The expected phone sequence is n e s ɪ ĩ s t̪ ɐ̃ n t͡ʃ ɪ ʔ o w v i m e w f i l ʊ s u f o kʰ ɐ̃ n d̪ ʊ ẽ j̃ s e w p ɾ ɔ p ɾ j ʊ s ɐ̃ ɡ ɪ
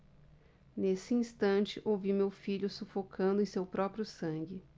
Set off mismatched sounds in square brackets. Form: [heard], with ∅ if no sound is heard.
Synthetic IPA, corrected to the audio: n e s ɪ ĩ s t̪ ɐ̃ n t͡ʃ ɪ ʔ o w v i m e w f i [ʎ] ʊ s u f o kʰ ɐ̃ n d̪ ʊ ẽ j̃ s e w p ɾ ɔ p ɾ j ʊ s ɐ̃ ɡ ɪ